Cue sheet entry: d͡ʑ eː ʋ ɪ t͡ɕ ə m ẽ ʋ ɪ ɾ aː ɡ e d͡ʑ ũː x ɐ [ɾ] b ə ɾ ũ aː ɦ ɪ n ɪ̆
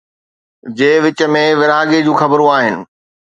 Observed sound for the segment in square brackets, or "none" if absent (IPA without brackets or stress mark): none